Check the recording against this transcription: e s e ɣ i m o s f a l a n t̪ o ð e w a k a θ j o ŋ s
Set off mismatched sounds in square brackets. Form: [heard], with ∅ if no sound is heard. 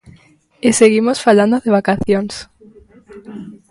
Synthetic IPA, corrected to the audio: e s e ɣ i m o s f a l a n [d̪] o ð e [β] a k a θ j o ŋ s